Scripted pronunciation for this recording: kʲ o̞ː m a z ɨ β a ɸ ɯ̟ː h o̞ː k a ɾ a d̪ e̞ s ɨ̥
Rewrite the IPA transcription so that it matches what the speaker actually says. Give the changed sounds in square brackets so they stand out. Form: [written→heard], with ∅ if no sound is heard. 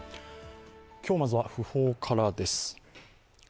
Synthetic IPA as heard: kʲ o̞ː m a z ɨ β a ɸ [ɯ̟ː→ɯ̟] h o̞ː [k→kʰ] a ɾ a d̪ e̞ s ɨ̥